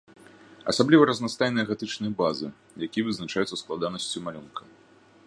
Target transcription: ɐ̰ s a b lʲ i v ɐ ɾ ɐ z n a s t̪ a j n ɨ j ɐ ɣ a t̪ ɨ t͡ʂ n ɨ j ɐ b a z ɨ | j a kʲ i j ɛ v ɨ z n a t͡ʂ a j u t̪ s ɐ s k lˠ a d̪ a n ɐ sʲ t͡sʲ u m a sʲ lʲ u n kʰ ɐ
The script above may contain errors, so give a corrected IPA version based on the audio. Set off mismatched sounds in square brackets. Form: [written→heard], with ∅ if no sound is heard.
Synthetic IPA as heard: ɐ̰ s a b lʲ i v ɐ ɾ ɐ z n a s t̪ a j n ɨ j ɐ ɣ a t̪ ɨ t͡ʂ n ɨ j ɐ b a z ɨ | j a kʲ i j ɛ v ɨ z n a t͡ʂ a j u t̪ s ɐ s k lˠ a d̪ a n ɐ sʲ t͡sʲ u m a [sʲ→∅] lʲ u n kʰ ɐ